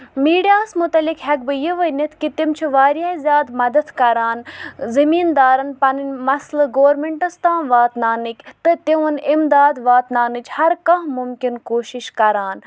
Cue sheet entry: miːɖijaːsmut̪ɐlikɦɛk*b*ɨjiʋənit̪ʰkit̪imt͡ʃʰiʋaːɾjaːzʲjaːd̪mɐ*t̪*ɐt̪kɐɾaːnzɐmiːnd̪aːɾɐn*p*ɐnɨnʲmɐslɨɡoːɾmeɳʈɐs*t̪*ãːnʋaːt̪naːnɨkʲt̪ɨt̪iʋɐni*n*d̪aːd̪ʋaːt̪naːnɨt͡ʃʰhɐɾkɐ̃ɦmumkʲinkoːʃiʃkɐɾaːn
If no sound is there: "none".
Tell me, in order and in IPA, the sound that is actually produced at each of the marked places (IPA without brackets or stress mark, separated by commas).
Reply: b, d̪, p, t̪, m